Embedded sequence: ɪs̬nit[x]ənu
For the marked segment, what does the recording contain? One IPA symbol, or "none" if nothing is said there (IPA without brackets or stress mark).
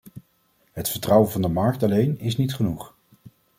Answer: χ